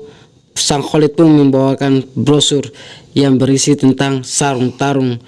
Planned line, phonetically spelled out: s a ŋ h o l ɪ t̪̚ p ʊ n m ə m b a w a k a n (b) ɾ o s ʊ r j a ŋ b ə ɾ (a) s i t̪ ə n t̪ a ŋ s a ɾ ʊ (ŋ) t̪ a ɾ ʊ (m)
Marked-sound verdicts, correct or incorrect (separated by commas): correct, incorrect, correct, incorrect